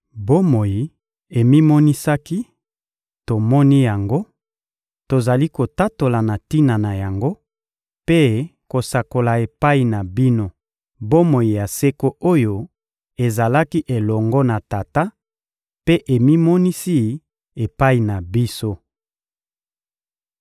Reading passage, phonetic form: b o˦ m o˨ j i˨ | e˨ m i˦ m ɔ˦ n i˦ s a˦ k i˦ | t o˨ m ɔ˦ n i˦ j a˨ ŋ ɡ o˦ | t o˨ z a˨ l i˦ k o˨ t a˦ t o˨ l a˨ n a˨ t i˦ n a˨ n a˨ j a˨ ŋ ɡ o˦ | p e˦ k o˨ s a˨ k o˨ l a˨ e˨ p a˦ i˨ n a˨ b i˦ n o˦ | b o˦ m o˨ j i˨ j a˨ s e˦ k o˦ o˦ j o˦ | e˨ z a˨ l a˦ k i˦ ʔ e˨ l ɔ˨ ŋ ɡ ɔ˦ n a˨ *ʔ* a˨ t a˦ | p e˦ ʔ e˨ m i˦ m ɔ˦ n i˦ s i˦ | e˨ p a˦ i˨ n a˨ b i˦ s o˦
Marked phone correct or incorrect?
incorrect